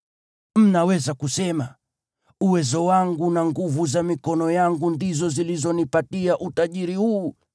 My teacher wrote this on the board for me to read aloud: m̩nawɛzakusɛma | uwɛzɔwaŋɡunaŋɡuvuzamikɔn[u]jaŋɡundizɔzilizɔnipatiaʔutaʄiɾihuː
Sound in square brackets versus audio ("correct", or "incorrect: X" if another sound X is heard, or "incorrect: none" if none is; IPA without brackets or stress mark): incorrect: ɔ